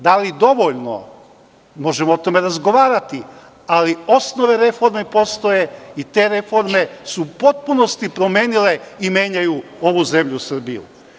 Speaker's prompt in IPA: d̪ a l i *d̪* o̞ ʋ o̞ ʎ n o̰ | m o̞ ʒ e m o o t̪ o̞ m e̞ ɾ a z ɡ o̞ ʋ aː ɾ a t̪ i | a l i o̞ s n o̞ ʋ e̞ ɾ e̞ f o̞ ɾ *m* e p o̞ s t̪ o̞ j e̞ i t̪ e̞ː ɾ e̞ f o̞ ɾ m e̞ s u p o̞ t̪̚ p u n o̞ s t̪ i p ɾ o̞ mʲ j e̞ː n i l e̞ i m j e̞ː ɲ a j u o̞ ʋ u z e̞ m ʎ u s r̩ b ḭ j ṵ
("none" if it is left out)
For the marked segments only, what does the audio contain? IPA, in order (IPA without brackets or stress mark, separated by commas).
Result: d̪, m